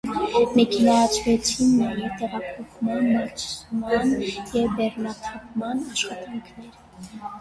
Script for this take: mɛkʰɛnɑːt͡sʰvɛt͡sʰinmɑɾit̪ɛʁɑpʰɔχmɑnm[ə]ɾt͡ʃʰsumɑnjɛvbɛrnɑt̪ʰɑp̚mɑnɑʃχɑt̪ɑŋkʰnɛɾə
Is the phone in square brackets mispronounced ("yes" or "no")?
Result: yes